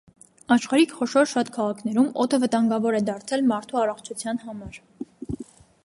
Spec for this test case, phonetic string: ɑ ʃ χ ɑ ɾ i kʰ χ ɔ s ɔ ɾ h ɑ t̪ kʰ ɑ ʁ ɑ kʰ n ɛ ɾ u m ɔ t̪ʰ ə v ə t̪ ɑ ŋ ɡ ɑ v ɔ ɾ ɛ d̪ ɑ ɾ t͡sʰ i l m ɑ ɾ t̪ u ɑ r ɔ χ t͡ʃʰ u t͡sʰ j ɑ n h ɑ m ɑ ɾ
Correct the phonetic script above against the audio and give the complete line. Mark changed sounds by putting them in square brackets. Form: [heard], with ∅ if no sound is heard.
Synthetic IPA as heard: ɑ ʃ χ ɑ ɾ i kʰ χ ɔ [ʃ] ɔ ɾ [ʃ] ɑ t̪ kʰ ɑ ʁ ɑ kʰ n ɛ ɾ u m ɔ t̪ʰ ə v ə t̪ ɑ ŋ ɡ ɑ v ɔ ɾ ɛ d̪ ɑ ɾ t͡sʰ [ɛ] l m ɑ ɾ [t̪ʰ] u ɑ r ɔ χ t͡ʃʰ u t͡sʰ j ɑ n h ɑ m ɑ ɾ